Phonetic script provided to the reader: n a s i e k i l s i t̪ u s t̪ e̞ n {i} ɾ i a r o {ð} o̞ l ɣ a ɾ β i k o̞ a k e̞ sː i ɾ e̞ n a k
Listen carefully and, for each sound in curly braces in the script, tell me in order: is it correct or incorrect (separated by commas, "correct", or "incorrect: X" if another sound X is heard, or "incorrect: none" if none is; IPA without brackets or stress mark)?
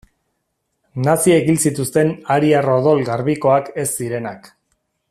incorrect: a, correct